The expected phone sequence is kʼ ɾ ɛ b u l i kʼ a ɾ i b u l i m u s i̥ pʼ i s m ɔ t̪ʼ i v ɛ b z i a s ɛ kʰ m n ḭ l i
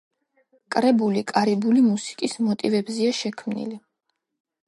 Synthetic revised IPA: kʼ ɾ ɛ b u l i kʼ a ɾ i b u l i m u s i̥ kʼ i s m ɔ t̪ʼ i v ɛ b z i a ʃ ɛ kʰ m n ḭ l i

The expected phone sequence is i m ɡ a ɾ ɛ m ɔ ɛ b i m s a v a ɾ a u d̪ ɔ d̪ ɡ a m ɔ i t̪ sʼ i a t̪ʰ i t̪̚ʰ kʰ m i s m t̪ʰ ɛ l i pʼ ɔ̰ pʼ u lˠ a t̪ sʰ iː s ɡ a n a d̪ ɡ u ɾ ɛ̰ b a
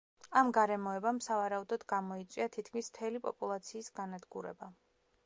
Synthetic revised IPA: a m ɡ a ɾ ɛ m ɔ ɛ b a m s a v a ɾ a u d̪ ɔ d̪ ɡ a m ɔ i t̪ sʼ i a t̪ʰ i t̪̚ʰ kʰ m i s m t̪ʰ ɛ l i pʼ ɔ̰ pʼ u lˠ a t̪ sʰ iː s ɡ a n a d̪ ɡ u ɾ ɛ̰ b a

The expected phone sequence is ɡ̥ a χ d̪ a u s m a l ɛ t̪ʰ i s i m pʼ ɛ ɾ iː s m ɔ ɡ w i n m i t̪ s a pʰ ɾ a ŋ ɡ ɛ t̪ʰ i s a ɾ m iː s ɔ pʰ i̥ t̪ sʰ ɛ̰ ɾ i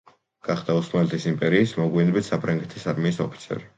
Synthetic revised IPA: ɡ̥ a χ d̪ a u s m a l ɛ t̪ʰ i s i m pʼ ɛ ɾ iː s m ɔ ɡ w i n b i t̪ s a pʰ ɾ a ŋ ɡ ɛ t̪ʰ i s a ɾ m iː s ɔ pʰ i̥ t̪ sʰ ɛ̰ ɾ i

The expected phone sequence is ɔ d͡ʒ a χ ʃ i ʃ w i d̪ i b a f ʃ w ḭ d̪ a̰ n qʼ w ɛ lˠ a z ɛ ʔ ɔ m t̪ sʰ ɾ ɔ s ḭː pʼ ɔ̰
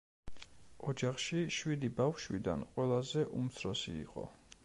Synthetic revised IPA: ɔ d͡ʒ a χ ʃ i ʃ w i d̪ i b a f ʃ w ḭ d̪ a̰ n qʼ w ɛ lˠ a z ɛ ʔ u m t̪ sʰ ɾ ɔ s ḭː qʼ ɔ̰

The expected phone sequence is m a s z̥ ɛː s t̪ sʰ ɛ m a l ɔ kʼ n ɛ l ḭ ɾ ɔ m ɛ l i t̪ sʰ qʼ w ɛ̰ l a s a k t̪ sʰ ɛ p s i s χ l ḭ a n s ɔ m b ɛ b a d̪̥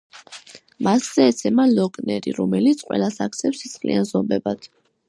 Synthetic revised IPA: m a s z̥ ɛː t̪ sʰ ɛ m a l ɔ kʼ n ɛ ɾ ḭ ɾ ɔ m ɛ l i t̪ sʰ qʼ w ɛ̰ l a s a k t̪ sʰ ɛ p s i s χ l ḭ a n z ɔ m b ɛ b a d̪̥

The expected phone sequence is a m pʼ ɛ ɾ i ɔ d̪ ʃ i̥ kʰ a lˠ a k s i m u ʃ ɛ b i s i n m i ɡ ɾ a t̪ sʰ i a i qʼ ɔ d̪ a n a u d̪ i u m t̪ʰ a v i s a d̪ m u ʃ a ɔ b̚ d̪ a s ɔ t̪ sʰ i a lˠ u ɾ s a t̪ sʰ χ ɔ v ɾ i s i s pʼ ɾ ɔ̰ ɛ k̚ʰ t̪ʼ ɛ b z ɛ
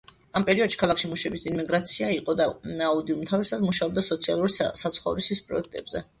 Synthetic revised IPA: a m pʼ ɛ ɾ i ɔ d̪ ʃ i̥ kʰ a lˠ a k ʃ i m u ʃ ɛ b i s i n m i ɡ ɾ a t̪ sʰ i a i qʼ ɔ d̪ a n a u d̪ i u m t̪ʰ a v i s a d̪ m u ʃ a ɔ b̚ d̪ a s ɔ t̪ sʰ i a lˠ u ɾ s a t̪ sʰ χ ɔ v ɾ i s i s pʼ ɾ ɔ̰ ɛ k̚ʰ t̪ʼ ɛ b z ɛ

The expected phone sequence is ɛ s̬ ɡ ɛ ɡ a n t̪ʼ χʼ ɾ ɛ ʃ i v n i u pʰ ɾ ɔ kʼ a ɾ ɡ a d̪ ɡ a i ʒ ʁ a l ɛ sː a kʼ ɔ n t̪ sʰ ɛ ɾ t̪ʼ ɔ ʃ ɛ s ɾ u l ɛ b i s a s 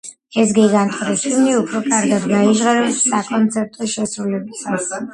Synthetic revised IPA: ɛ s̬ ɡ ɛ ɡ a n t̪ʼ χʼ ɾ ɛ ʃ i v n i u pʰ ɾ ɔ kʼ a ɾ ɡ a d̪ ɡ a i ʒ ʁ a ɾ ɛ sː a kʼ ɔ n t̪ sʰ ɛ ɾ t̪ʼ ɔ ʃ ɛ s ɾ u l ɛ b i s a s

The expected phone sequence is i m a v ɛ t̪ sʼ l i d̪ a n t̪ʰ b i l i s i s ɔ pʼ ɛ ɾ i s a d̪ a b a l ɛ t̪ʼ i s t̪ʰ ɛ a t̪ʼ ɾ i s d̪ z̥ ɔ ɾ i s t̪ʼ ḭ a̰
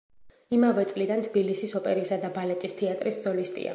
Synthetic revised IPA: i m a v ɛ t̪ sʼ l i d̪ a n t̪ʰ b i l i s i s ɔ pʼ ɛ ɾ i s a d̪ a b a l ɛ t̪ʼ i s t̪ʰ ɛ a t̪ʼ ɾ i s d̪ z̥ ɔ l i s t̪ʼ ḭ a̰

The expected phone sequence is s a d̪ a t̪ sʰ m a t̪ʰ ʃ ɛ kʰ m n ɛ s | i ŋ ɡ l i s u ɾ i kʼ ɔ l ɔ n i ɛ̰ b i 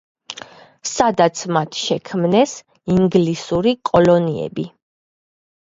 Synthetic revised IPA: s a d̪ a t̪ sʰ m a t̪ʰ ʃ ɛ kʰ m n ɛ s | i ŋ ɡ l i s u ɾ i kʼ ɔ l ɔ n i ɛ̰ b i

